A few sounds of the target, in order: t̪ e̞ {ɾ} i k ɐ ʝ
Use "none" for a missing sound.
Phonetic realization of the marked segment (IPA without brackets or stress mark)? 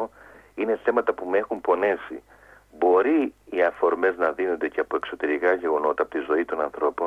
ɾ